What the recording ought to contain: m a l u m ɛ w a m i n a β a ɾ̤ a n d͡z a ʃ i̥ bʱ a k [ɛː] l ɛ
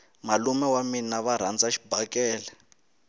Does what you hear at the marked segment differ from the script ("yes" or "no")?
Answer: no